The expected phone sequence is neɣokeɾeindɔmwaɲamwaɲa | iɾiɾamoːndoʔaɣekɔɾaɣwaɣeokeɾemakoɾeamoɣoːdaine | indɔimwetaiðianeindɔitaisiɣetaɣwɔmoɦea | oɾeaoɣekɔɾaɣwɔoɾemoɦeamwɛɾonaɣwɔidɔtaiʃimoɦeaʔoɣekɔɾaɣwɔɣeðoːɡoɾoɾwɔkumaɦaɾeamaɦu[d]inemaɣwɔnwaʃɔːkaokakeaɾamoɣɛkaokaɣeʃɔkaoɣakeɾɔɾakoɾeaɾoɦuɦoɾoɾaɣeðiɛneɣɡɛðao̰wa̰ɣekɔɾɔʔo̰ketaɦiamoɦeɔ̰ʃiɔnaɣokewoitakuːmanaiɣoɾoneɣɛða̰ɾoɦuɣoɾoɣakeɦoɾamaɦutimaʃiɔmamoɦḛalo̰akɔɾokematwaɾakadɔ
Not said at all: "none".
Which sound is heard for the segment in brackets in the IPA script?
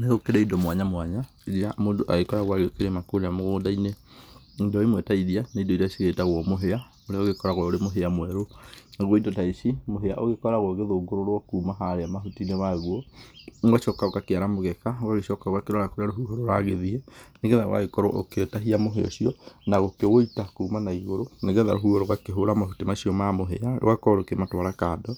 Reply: t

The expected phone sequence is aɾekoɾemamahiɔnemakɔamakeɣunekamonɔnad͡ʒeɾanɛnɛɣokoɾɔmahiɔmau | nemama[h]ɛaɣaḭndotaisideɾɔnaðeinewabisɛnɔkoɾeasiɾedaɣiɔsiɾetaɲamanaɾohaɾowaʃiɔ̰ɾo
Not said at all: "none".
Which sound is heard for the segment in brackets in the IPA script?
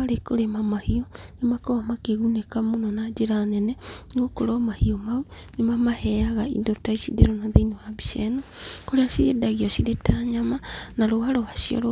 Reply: h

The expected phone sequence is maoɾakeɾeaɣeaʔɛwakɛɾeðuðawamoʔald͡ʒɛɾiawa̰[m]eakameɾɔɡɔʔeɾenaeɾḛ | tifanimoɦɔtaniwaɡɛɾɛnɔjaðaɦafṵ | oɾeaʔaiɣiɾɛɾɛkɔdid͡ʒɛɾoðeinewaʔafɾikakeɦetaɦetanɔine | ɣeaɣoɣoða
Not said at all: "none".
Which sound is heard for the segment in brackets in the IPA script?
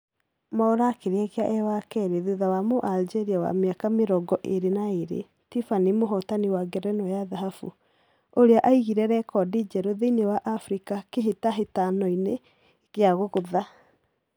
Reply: m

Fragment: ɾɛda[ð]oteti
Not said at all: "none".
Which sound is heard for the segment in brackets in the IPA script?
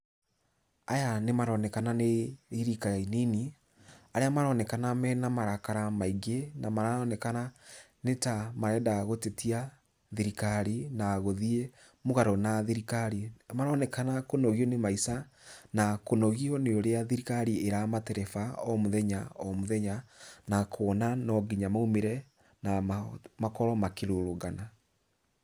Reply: ɣ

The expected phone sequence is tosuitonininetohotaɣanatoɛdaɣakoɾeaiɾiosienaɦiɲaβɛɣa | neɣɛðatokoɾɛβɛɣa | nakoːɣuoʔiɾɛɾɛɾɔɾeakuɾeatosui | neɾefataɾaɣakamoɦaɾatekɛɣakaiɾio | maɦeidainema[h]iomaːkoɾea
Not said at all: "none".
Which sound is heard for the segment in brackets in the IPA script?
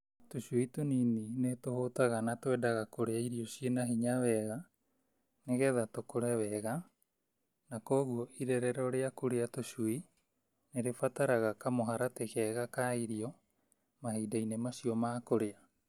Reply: s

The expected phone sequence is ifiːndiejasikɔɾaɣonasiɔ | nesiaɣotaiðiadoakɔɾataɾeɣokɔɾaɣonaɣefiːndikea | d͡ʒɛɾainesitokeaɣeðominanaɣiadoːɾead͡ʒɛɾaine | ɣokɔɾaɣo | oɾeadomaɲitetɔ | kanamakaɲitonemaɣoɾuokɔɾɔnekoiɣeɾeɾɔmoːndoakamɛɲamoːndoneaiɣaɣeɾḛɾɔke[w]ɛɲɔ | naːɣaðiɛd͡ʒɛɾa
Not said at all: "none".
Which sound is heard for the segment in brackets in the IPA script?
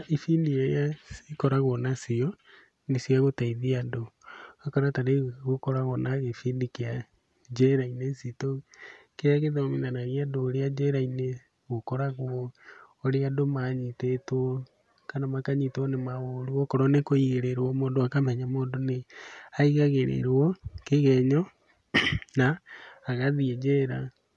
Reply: ɣ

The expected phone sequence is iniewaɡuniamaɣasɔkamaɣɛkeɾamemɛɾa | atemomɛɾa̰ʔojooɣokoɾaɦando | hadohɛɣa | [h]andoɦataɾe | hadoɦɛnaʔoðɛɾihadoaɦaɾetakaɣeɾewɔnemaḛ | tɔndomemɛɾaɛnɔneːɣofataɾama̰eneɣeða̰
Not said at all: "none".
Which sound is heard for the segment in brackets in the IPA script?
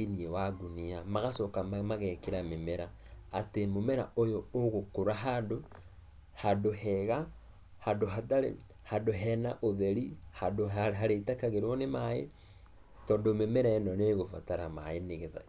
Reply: h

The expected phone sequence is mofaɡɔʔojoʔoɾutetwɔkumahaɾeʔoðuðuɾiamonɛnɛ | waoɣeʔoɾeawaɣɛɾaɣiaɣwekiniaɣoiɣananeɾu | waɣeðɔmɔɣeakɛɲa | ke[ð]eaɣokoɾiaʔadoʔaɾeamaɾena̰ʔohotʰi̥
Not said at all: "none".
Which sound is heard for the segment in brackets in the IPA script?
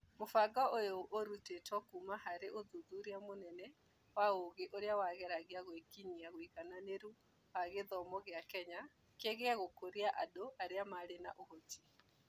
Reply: ɣ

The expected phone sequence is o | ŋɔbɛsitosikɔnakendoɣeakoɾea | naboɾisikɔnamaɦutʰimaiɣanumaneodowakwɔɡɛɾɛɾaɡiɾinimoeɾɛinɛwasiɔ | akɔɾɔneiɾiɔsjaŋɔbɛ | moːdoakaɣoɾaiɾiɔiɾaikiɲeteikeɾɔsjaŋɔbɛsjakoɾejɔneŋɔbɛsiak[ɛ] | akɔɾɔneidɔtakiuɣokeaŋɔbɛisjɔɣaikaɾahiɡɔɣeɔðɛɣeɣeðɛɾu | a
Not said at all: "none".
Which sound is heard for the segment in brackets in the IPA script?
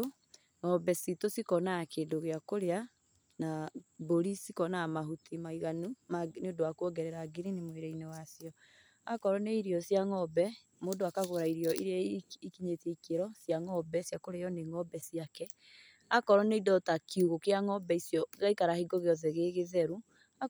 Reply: ɛ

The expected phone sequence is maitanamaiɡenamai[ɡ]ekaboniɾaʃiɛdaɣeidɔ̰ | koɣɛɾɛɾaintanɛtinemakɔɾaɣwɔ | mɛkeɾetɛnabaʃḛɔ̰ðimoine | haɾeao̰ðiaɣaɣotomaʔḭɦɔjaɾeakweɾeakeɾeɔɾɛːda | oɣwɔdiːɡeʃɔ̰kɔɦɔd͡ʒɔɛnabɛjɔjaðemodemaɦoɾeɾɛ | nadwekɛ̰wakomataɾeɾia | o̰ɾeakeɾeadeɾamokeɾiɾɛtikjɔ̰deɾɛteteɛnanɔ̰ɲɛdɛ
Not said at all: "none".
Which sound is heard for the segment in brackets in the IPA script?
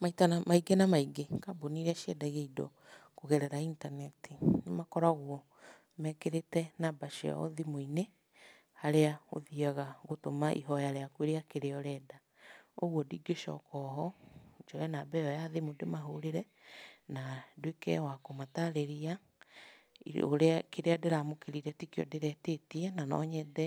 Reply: ɡ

